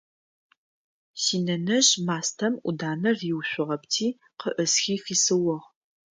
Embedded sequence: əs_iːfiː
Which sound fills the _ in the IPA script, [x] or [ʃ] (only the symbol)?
x